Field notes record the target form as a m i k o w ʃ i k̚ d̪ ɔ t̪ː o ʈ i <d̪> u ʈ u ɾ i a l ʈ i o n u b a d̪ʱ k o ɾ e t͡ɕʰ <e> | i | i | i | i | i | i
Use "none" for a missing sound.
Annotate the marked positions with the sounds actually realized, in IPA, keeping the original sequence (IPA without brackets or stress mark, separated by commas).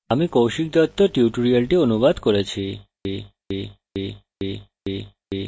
none, i